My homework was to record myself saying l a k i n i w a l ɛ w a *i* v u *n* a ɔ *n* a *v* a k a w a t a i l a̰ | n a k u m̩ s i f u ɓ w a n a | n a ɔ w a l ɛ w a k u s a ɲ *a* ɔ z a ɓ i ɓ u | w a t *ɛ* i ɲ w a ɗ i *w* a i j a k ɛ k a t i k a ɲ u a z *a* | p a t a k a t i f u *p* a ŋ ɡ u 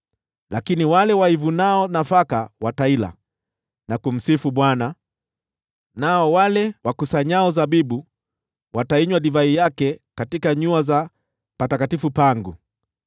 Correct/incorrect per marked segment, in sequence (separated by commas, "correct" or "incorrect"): correct, correct, correct, incorrect, correct, incorrect, incorrect, correct, correct